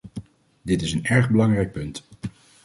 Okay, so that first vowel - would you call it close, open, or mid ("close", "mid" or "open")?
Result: close